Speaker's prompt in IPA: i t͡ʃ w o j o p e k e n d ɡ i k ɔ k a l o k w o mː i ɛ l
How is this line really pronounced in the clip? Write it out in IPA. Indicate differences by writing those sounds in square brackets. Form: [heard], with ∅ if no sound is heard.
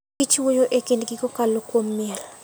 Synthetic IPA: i t͡ʃ w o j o [ʔ] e k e n d ɡ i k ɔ k a l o k w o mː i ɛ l